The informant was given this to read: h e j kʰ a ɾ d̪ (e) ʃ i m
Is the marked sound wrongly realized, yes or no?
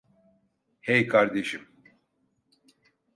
no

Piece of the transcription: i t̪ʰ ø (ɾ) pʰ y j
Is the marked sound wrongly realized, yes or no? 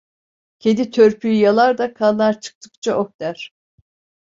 no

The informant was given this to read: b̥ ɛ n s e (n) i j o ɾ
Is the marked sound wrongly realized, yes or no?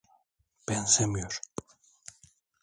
yes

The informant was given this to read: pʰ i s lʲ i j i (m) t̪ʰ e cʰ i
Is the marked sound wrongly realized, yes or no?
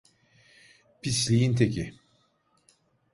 yes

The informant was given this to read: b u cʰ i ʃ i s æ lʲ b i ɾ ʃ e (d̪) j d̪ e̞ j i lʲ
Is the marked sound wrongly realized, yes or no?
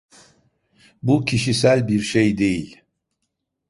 yes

